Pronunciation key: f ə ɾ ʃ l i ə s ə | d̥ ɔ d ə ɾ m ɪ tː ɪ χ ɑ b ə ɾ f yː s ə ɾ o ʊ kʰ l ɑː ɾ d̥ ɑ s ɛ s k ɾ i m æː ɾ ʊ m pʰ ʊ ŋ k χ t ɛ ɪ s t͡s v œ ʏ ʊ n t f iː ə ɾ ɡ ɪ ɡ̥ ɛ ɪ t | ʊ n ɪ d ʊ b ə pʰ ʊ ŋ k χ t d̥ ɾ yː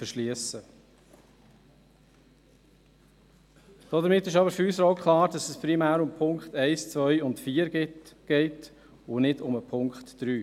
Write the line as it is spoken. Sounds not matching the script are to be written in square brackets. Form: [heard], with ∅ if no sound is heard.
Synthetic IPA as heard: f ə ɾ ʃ l i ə s ə | d̥ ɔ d ə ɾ m ɪ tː ɪ [ʃ] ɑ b ə ɾ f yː s ə ɾ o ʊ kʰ l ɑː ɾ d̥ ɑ s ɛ s [p] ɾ i m æː ɾ ʊ m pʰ ʊ ŋ k χ t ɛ ɪ s t͡s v œ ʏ ʊ n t f iː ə ɾ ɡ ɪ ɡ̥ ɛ ɪ t | ʊ n ɪ d ʊ [m] ə pʰ ʊ ŋ k χ t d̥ ɾ yː